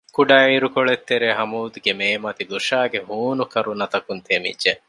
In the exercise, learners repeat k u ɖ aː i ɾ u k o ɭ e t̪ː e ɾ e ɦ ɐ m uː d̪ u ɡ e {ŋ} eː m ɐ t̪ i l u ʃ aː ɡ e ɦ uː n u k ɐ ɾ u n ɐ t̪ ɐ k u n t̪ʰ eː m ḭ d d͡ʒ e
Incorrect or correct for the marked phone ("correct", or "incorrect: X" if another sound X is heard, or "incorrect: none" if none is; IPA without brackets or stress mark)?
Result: incorrect: m